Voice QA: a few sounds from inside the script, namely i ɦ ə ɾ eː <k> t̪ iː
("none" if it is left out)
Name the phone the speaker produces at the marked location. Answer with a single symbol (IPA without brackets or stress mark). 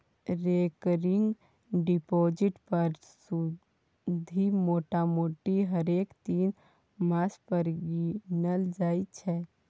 k